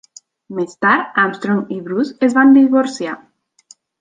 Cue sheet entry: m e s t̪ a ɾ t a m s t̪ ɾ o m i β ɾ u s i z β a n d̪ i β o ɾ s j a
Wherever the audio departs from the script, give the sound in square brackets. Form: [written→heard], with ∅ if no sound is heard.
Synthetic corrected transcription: m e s t̪ a ɾ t a m s t̪ ɾ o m i β ɾ u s [i→e] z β a n d̪ i β o ɾ s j a

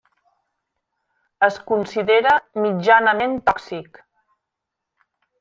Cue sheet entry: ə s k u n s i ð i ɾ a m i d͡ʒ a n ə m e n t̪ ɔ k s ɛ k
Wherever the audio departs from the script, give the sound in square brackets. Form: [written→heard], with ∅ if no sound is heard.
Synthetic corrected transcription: ə s k u n s i ð [i→e] ɾ [a→ə] m i d͡ʒ a n ə m e n t̪ ɔ k s [ɛ→i] k

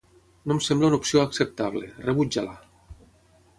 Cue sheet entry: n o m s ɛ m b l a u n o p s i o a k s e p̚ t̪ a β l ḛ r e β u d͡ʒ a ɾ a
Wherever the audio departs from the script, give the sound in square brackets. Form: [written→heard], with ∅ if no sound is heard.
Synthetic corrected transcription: n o m s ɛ m b l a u n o p s i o a k s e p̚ t̪ a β l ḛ r e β u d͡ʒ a [ɾ→l] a

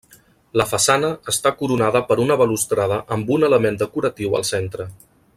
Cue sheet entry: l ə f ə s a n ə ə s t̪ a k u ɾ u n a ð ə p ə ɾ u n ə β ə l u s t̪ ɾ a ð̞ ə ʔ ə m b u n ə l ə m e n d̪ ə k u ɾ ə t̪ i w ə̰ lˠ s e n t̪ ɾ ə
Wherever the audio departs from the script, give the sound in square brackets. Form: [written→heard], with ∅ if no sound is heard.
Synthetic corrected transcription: l ə f ə s a n ə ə s t̪ a k u ɾ u n a ð ə p ə ɾ u n ə β ə l u s t̪ ɾ a ð̞ ə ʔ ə m b u n ə l ə m e n d̪ ə k u ɾ ə t̪ i w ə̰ lˠ s e n t̪ ɾ ə

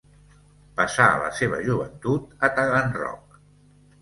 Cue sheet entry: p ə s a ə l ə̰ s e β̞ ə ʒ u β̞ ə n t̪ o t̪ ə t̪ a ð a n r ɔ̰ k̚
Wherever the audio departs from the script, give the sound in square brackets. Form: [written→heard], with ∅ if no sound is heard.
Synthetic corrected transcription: p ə s a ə l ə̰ s e β̞ ə ʒ u β̞ ə n t̪ [o→u] t̪ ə t̪ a [ð→ɣ] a n r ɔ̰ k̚

